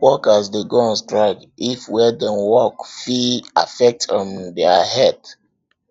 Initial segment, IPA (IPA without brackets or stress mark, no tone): w